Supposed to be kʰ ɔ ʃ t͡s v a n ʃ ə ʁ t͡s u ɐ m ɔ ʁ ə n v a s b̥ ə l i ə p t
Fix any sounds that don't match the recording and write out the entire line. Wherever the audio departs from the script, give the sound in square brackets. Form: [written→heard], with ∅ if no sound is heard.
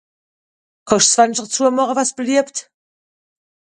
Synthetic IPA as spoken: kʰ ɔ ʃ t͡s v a n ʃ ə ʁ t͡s u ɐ m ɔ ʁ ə [n→∅] v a s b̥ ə l i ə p t